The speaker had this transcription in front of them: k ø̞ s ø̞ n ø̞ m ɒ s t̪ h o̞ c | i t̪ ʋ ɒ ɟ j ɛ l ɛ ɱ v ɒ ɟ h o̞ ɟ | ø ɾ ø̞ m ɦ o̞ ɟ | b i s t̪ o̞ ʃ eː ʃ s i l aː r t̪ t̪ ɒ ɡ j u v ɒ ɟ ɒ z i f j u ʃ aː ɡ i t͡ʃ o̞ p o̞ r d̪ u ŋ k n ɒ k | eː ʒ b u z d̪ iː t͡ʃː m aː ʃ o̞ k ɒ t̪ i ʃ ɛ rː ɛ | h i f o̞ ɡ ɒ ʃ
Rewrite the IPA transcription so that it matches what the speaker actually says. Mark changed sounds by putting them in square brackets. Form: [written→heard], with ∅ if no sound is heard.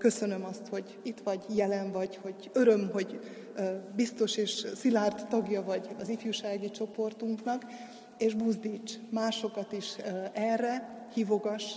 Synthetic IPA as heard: k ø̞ s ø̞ n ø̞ m ɒ s t̪ h o̞ [c→ɟ] | i t̪ ʋ ɒ ɟ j ɛ l ɛ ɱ v ɒ ɟ h o̞ ɟ | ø ɾ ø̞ m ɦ o̞ ɟ | b i s t̪ o̞ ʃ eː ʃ s i l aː r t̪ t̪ ɒ ɡ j [u→ɒ] v ɒ ɟ ɒ z i f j u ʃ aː ɡ i t͡ʃ o̞ p o̞ r [d̪→t̪] u ŋ k n ɒ k | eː ʒ b u z d̪ iː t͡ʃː m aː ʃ o̞ k ɒ t̪ i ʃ ɛ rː ɛ | h i [f→v] o̞ ɡ ɒ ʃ